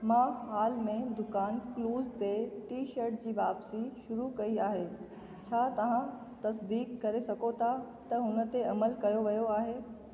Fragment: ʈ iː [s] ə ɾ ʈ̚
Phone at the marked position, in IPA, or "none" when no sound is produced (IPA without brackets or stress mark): ʃ